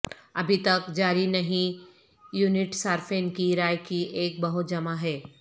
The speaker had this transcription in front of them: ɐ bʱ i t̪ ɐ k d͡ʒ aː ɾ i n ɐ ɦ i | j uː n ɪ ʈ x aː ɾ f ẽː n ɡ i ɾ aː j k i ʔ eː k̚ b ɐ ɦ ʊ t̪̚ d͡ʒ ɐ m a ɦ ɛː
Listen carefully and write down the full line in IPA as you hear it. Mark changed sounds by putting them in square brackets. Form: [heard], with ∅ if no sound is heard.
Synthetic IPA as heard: ɐ bʱ i t̪ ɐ k d͡ʒ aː ɾ i n ɐ ɦ [ĩ] | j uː n ɪ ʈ [s] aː ɾ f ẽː n [k] i ɾ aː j k i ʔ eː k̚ b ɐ ɦ ʊ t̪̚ d͡ʒ ɐ m a ɦ ɛː